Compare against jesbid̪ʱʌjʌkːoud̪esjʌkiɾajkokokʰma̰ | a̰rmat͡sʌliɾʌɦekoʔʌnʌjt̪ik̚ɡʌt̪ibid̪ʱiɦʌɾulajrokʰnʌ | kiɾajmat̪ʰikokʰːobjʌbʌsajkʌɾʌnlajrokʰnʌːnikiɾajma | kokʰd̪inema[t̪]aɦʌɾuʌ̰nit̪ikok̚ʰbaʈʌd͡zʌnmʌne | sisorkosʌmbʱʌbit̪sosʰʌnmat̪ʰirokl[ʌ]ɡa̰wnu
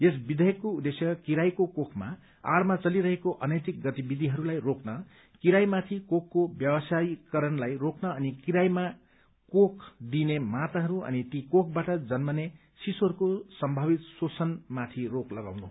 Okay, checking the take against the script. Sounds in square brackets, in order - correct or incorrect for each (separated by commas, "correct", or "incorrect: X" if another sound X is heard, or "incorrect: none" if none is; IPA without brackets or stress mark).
correct, correct